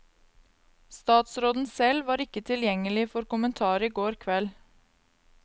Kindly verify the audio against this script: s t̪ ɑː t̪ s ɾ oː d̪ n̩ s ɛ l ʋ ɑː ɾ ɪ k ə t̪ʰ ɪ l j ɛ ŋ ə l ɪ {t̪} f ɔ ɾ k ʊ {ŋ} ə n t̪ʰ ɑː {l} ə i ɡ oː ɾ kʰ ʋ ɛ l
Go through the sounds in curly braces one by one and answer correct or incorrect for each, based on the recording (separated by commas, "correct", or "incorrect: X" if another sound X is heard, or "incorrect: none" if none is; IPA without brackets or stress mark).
incorrect: none, incorrect: m, incorrect: ɾ